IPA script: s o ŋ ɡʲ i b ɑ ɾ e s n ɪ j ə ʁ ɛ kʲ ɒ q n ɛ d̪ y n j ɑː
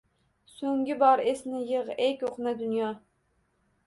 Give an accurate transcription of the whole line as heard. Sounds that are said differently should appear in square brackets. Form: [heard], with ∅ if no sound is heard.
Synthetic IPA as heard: s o ŋ ɡʲ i b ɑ ɾ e s n ɪ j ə ʁ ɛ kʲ [o] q n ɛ d̪ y n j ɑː

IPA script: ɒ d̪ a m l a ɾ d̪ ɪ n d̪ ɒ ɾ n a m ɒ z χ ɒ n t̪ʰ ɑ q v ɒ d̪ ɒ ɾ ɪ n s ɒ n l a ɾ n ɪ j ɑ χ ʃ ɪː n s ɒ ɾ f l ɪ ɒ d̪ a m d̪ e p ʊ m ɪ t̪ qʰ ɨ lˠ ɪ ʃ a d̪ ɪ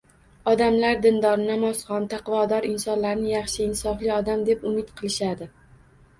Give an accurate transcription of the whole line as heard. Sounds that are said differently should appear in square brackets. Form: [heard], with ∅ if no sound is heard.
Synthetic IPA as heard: ɒ d̪ a m l a ɾ d̪ ɪ n d̪ ɒ ɾ n a m ɒ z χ ɒ n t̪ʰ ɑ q v ɒ d̪ ɒ ɾ ɪ n s ɒ n l a ɾ n ɪ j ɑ χ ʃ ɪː n s ɒ [∅] f l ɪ ɒ d̪ a m d̪ e p ʊ m ɪ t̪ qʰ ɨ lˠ ɪ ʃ a d̪ ɪ

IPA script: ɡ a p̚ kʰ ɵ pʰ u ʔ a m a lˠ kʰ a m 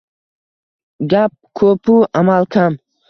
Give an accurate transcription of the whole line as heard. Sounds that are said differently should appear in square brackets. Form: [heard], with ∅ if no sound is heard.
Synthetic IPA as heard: ɡ a p̚ kʰ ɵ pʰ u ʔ a m a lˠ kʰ a m

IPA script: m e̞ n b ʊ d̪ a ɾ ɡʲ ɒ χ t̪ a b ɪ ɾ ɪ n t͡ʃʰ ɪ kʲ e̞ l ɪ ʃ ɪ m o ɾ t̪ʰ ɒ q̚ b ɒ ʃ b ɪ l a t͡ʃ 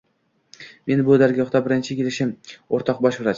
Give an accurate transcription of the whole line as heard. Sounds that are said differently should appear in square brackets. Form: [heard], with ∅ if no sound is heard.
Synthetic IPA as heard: m e̞ n b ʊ d̪ a ɾ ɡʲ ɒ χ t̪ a b ɪ ɾ ɪ n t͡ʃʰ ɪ kʲ e̞ l ɪ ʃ ɪ m o ɾ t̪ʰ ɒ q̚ b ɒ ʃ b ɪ [ɾ] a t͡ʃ

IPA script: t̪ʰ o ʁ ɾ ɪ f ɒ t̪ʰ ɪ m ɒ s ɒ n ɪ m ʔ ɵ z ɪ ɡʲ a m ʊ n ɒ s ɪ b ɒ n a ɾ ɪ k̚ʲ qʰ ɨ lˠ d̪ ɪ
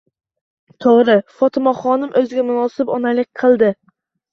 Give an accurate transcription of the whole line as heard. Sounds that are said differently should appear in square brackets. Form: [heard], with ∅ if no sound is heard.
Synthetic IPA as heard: t̪ʰ o ʁ ɾ ɪ f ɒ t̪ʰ ɪ m ɒ [χ] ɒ n ɪ m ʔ ɵ z ɪ ɡʲ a m ʊ n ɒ s ɪ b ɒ n a [l] ɪ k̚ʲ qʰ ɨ lˠ d̪ ɪ

